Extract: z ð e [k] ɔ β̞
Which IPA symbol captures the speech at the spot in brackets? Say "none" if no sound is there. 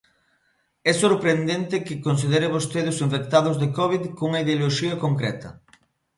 k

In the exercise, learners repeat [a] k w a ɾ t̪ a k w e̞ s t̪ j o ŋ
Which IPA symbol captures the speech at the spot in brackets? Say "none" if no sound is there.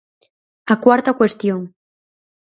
a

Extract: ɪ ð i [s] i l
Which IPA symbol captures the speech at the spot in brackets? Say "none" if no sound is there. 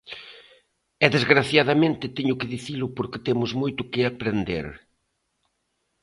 θ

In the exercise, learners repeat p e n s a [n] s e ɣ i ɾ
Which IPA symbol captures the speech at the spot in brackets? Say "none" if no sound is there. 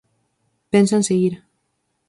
n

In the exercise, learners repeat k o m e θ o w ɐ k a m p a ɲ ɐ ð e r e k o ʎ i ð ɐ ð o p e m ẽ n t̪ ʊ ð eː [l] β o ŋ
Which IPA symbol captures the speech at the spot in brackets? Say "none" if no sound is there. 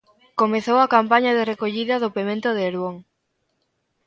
ɾ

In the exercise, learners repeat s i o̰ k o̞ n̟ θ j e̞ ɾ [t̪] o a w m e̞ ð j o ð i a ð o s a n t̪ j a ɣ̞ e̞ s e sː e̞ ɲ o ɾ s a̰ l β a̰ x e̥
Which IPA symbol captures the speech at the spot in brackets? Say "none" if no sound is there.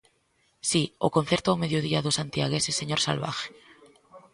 t̪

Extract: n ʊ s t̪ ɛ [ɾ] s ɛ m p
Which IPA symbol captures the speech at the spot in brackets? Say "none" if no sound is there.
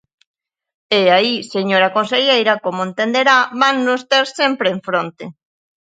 ɾ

